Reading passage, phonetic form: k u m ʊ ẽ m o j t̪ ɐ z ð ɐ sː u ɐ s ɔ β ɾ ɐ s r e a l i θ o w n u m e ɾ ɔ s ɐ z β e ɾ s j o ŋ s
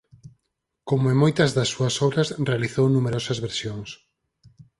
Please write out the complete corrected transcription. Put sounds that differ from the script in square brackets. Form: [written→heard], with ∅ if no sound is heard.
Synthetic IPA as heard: k [u→o] m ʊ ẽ m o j t̪ ɐ z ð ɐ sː u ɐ s ɔ β ɾ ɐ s r e a l i θ o w n u m e ɾ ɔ s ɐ z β e ɾ s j o ŋ s